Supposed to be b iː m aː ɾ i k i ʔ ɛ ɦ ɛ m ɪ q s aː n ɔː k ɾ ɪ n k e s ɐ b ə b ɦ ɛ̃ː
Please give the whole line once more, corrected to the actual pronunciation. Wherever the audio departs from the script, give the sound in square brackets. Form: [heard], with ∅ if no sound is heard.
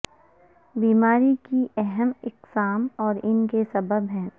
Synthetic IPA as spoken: b iː m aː ɾ i k i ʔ ɛ ɦ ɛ m ɪ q s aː [m] ɔː [∅] ɾ ɪ n k e s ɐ b ə b ɦ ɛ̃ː